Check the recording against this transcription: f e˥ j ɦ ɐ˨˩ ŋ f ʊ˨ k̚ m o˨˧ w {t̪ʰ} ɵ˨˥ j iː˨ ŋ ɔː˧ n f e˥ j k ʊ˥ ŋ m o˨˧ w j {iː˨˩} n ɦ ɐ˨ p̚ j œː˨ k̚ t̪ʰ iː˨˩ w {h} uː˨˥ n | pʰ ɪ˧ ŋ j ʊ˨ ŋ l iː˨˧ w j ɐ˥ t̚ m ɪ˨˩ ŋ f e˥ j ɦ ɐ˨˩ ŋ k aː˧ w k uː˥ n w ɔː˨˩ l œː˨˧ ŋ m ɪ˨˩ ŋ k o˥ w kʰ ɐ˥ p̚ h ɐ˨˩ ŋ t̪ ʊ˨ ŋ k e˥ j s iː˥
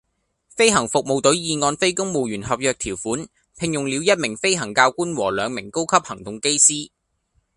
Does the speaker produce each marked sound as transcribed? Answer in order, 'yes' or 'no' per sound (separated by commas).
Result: no, no, no